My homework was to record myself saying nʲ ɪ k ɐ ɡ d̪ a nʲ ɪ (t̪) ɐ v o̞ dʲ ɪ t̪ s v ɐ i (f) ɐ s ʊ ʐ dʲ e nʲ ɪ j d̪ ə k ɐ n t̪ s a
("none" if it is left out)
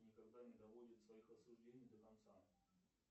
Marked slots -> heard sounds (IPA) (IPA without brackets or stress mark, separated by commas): d̪, x